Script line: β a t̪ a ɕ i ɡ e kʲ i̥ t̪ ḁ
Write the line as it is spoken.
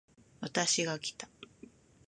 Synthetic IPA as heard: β a t̪ a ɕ i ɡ a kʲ i̥ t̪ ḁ